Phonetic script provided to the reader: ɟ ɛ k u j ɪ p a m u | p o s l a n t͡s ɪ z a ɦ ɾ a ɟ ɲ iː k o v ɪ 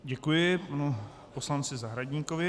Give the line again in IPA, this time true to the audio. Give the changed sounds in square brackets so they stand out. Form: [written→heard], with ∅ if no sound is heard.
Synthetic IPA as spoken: ɟ ɛ k u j ɪ p a [m→n] u | p o s l a n t͡s ɪ z a ɦ ɾ a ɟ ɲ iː k o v ɪ